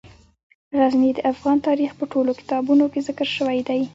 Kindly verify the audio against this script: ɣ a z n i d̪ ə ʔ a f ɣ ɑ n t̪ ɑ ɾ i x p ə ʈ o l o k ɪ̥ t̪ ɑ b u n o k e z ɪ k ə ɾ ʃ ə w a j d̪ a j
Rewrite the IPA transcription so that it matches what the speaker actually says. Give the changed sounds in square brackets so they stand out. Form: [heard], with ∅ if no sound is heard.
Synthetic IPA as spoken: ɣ a z n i d̪ ə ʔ a f ɣ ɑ n t̪ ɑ ɾ i x p ə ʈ o l o k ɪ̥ t̪ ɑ b u n o k e z ɪ k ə ɾ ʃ ə w a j d̪ a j

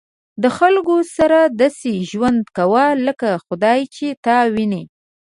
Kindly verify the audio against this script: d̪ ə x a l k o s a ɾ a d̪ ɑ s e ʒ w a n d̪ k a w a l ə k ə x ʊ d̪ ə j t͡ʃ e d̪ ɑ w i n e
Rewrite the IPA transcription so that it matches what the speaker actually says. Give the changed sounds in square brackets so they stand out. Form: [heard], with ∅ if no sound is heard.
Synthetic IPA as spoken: d̪ ə x a l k o s a ɾ a d̪ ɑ s e ʒ w a n d̪ k a w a l ə k [a] x ʊ d̪ [ɑ] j t͡ʃ e [t̪] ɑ w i n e

